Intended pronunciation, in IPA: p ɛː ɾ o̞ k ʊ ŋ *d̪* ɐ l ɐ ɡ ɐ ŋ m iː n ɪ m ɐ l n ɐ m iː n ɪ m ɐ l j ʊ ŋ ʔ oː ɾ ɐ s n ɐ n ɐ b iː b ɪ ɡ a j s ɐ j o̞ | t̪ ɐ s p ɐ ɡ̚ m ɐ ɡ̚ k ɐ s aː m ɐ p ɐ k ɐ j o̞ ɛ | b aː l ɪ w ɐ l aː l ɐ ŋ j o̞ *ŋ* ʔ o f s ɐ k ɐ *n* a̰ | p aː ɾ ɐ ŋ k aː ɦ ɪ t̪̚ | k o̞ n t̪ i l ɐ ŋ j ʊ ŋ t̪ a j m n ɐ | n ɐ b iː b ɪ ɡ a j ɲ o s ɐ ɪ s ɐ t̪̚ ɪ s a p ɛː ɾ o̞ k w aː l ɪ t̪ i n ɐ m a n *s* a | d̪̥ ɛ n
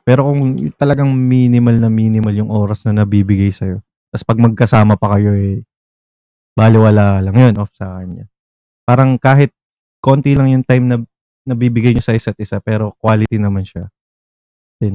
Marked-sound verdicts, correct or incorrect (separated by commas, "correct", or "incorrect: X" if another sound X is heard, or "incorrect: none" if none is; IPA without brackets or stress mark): incorrect: t̪, incorrect: n, incorrect: ɲ, incorrect: ʃ